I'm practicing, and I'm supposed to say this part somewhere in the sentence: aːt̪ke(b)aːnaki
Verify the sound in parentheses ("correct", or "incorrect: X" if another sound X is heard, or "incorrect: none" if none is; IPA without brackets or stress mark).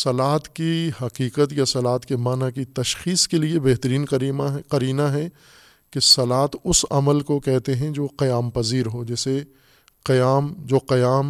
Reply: incorrect: m